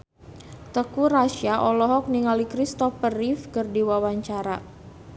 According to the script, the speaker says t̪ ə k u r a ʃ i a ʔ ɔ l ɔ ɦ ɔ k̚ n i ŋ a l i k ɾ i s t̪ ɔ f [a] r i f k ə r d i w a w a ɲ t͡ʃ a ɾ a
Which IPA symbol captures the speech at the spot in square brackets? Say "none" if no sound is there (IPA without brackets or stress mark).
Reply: ə